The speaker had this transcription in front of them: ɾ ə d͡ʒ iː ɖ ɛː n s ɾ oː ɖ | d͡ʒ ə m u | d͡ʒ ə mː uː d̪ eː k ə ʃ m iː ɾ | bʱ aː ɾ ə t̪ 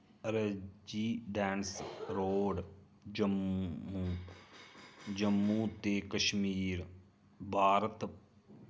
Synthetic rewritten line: ɾ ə d͡ʒ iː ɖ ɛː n s ɾ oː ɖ | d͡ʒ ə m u | d͡ʒ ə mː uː t̪ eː k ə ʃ m iː ɾ | bʱ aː ɾ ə t̪

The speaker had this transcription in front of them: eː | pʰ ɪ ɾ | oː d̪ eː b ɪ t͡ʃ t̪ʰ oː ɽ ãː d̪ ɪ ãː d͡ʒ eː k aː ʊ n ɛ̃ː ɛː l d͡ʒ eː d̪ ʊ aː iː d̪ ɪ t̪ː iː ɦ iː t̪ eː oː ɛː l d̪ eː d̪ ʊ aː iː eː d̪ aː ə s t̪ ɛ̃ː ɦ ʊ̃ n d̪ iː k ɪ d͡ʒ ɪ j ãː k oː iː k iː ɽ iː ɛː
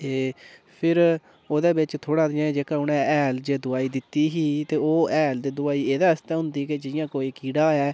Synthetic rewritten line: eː | pʰ ɪ ɾ | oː d̪ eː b ɪ t͡ʃ t̪ʰ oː ɽ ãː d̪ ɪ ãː d͡ʒ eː k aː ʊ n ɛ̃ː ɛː l d͡ʒ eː d̪ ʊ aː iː d̪ ɪ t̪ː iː ɦ iː t̪ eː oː ɛː l d̪ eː d̪ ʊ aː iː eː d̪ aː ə s t̪ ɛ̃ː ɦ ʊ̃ n d̪ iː k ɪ d͡ʒ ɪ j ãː k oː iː k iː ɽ aː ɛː

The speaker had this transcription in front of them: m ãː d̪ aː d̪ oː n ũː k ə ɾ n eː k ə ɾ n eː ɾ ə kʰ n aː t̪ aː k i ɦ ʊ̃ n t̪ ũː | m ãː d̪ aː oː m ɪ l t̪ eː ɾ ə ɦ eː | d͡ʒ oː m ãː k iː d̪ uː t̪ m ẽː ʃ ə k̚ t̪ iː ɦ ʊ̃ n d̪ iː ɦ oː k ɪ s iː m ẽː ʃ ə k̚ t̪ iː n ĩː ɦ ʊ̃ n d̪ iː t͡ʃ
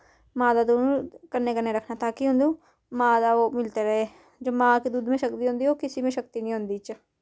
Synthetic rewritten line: m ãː d̪ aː d̪ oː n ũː k ə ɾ n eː k ə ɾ n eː ɾ ə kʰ n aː t̪ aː k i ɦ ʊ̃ n d̪ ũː | m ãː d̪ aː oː m ɪ l t̪ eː ɾ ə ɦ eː | d͡ʒ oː m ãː k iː d̪ uː d̪ m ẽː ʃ ə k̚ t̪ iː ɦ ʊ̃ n d̪ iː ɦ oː k ɪ s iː m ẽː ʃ ə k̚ t̪ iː n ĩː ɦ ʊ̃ n d̪ iː t͡ʃ

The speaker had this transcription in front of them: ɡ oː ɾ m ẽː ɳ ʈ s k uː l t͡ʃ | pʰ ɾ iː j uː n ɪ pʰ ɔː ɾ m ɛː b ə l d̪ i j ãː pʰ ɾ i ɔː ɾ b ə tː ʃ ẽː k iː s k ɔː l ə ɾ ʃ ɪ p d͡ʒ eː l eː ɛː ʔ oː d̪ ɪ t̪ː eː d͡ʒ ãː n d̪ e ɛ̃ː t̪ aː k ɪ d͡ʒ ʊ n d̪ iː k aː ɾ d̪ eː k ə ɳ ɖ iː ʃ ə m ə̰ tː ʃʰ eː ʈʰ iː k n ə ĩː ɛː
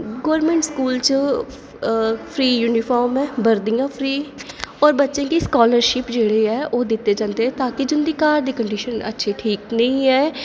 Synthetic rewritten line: ɡ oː ɾ m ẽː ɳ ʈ s k uː l t͡ʃ | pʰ ɾ iː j uː n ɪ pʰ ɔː ɾ m ɛː b ə ɾ d̪ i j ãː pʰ ɾ iː ɔː ɾ b ə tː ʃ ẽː k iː s k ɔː l ə ɾ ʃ ɪ p d͡ʒ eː ɽ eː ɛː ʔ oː d̪ ɪ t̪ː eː d͡ʒ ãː n d̪ e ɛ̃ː t̪ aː k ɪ d͡ʒ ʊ n d̪ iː k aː ɾ d̪ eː k ə ɳ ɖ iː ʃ ə n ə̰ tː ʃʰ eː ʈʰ iː k n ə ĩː ɛː

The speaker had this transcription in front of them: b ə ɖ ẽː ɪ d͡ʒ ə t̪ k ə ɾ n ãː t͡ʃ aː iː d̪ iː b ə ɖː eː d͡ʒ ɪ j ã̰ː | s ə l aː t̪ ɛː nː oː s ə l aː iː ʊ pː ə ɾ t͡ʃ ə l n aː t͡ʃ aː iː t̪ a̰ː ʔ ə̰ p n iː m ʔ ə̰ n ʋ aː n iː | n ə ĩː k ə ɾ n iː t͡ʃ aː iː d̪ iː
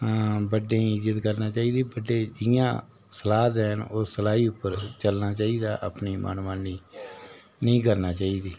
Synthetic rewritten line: b ə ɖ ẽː ɪ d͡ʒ ə t̪ k ə ɾ n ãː t͡ʃ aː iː d̪ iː b ə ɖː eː d͡ʒ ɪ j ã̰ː | s ə l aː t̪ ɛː n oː s ə l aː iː ʊ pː ə ɾ t͡ʃ ə l n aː t͡ʃ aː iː d̪ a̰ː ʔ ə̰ p n iː m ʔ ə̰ n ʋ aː n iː | n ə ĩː k ə ɾ n aː t͡ʃ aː iː d̪ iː

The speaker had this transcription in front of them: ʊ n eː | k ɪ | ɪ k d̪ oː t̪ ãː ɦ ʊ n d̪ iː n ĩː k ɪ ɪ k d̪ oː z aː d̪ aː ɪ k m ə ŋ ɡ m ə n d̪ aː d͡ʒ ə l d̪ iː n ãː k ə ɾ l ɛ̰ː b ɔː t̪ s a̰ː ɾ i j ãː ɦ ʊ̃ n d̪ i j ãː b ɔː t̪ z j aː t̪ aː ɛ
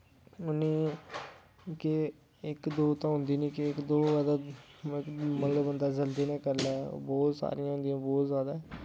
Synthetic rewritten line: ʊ n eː | k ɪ | ɪ k d̪ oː t̪ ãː ɦ ʊ n d̪ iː n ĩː k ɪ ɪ k d̪ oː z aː d̪ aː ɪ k m ə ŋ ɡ b ə n d̪ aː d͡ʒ ə l d̪ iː n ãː k ə ɾ l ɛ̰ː b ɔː t̪ s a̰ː ɾ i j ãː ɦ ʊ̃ n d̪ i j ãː b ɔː t̪ z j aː d̪ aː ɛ

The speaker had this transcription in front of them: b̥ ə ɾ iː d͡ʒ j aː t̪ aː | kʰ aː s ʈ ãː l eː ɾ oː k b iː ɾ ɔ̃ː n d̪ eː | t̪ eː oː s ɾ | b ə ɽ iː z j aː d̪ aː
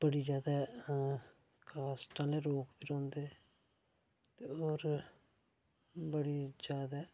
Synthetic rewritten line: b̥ ə ɽ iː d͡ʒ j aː d̪ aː | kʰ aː s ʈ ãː l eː ɾ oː k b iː ɾ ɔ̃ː n d̪ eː | t̪ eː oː ɾ | b ə ɽ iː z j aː d̪ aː

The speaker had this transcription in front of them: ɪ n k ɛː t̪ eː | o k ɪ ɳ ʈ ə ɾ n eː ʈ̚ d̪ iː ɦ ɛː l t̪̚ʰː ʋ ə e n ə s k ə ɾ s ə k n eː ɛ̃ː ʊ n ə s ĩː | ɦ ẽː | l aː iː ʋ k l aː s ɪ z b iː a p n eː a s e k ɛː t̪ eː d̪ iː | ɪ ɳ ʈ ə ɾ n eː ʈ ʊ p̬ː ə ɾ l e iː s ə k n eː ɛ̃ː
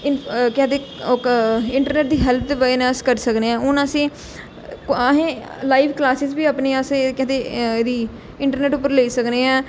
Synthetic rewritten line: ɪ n k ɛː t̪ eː | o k ɪ ɳ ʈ ə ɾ n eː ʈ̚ d̪ iː ɦ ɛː l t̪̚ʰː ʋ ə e n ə s k ə ɾ s ə k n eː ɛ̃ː ʊ n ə s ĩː | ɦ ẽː | l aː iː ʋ k l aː s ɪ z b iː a p n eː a s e k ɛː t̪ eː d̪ iː | ɪ ɳ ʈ ə ɾ n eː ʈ ʊ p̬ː ə ɾ l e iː s ə k n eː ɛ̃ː

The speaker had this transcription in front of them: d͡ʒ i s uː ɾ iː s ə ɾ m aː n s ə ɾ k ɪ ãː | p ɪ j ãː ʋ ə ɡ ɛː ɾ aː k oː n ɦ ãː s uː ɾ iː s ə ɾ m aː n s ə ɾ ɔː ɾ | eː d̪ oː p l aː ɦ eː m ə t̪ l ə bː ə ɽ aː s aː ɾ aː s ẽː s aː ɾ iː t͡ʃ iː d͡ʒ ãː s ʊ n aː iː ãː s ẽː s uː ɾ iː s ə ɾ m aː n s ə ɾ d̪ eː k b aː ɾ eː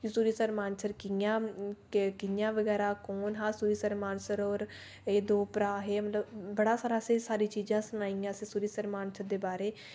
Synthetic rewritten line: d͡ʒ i s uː ɾ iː s ə ɾ m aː n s ə ɾ k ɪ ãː | k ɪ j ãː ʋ ə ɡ ɛː ɾ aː k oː n ɦ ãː s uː ɾ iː s ə ɾ m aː n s ə ɾ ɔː ɾ | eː d̪ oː p ɾ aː ɦ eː m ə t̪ l ə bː ə ɽ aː s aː ɾ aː s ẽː s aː ɾ iː t͡ʃ iː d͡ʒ ãː s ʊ n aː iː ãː s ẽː s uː ɾ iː s ə ɾ m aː n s ə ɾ d̪ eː b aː ɾ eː

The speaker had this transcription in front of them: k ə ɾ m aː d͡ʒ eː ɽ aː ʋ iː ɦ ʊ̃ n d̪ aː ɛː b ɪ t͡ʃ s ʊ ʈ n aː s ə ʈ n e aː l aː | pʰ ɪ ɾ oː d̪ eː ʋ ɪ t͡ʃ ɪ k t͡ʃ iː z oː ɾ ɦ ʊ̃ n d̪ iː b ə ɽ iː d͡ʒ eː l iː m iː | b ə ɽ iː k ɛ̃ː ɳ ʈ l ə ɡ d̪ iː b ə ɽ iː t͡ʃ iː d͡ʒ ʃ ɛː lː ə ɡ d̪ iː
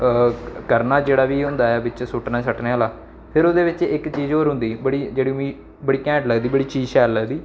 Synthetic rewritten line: k ə ɾ n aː d͡ʒ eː ɽ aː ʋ iː ɦ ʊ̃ n d̪ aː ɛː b ɪ t͡ʃ s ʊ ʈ n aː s ə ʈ n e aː l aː | pʰ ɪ ɾ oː d̪ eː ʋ ɪ t͡ʃ ɪ k t͡ʃ iː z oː ɾ ɦ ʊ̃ n d̪ iː b ə ɽ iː d͡ʒ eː ɽ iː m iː | b ə ɽ iː k ɛ̃ː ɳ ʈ l ə ɡ d̪ iː b ə ɽ iː t͡ʃ iː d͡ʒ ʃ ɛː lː ə ɡ d̪ iː

